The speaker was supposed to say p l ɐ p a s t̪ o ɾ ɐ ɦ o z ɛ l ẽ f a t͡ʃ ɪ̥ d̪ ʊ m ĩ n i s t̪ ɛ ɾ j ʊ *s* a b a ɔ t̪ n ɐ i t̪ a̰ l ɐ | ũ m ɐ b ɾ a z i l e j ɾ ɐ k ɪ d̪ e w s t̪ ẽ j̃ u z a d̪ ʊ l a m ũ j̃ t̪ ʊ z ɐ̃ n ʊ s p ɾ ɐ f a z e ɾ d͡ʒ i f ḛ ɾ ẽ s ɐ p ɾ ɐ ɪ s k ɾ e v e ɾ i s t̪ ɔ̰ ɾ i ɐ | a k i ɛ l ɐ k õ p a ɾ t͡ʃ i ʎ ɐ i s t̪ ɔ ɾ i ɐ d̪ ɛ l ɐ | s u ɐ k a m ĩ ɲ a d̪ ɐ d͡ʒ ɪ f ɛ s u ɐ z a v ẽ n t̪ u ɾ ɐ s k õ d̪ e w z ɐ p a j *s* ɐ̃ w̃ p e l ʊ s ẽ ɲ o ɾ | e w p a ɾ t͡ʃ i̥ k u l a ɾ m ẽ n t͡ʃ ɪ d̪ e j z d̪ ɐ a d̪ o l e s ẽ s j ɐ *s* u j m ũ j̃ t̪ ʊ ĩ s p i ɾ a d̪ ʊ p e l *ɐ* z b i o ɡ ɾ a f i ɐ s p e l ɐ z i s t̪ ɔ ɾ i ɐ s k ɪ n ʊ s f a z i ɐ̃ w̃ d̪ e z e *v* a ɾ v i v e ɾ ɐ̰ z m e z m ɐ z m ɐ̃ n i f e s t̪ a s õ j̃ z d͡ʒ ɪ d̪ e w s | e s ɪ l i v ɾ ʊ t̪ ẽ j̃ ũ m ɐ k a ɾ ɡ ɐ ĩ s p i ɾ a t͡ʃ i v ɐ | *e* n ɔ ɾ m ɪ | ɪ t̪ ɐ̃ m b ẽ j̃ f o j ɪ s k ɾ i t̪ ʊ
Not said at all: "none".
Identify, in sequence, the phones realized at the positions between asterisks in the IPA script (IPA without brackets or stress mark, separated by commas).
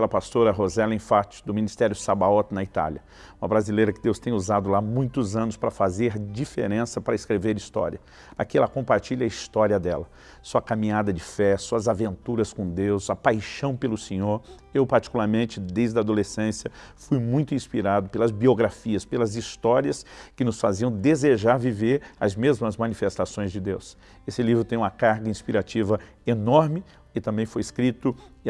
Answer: s, ʃ, f, ɐ, ʒ, e